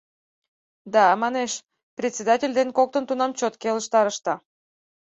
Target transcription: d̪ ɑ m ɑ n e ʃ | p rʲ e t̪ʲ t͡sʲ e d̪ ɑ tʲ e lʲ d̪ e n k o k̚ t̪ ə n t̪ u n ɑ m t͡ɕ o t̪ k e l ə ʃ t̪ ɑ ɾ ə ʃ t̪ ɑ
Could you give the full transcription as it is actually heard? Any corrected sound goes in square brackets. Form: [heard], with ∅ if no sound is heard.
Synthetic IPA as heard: d̪ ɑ m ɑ n e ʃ | p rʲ e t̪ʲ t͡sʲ e d̪ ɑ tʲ e lʲ d̪ e n k o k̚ t̪ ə n t̪ u n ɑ m t͡ɕ o t̪ k e l ə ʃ t̪ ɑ ɾ ə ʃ t̪ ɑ